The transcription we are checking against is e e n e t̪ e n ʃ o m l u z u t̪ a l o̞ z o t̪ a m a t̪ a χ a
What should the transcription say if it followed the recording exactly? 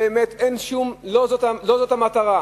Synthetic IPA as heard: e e m e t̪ e n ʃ u m l o z o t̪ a l o̞ z o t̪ a m a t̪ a ʁ a